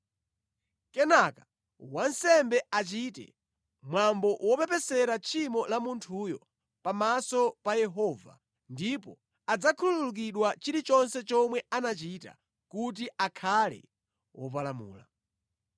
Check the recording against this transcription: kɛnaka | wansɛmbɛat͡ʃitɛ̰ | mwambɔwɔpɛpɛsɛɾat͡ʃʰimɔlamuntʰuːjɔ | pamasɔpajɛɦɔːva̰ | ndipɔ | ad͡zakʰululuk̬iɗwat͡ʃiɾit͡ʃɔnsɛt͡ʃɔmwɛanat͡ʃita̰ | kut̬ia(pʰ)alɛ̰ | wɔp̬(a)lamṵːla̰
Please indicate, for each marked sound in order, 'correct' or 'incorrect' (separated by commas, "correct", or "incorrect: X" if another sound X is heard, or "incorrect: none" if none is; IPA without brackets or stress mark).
incorrect: kʰ, correct